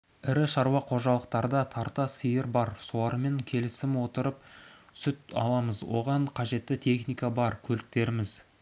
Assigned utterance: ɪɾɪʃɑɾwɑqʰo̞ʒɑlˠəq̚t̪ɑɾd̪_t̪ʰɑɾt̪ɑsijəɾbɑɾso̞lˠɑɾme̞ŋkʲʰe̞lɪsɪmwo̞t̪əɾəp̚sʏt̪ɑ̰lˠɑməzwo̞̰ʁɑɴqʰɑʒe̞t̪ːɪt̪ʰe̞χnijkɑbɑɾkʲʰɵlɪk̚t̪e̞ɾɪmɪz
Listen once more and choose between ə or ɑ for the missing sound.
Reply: ɑ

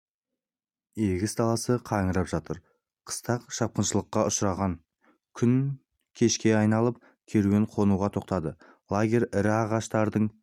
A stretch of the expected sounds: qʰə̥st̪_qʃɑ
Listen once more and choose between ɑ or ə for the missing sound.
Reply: ɑ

